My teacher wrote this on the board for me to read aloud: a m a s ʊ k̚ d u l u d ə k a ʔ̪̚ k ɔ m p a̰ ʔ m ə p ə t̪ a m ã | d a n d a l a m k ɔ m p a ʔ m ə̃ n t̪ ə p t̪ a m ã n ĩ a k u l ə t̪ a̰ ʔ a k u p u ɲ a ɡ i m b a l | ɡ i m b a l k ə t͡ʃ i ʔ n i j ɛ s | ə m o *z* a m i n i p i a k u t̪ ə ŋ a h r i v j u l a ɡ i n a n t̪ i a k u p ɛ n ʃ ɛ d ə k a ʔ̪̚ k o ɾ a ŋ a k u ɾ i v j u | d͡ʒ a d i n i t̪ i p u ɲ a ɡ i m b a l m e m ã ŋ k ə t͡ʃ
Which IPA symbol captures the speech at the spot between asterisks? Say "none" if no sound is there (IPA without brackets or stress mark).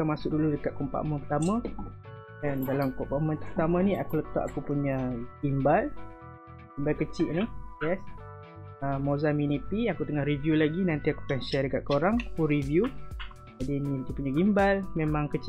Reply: z